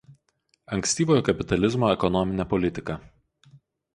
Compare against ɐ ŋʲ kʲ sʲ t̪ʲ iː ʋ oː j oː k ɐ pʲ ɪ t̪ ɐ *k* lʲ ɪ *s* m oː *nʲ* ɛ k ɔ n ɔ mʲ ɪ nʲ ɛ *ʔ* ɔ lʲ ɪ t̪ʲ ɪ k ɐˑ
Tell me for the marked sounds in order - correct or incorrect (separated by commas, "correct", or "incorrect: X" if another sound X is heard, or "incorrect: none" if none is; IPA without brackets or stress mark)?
incorrect: none, incorrect: z, incorrect: none, incorrect: p